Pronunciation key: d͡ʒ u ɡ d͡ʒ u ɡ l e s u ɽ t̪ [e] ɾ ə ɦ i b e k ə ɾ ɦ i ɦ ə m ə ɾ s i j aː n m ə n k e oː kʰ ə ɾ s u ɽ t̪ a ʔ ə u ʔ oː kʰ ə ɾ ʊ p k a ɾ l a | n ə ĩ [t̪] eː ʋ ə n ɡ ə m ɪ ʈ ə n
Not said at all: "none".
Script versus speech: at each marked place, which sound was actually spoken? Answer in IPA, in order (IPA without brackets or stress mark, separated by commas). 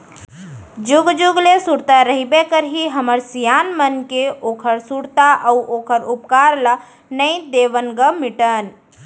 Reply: a, d̪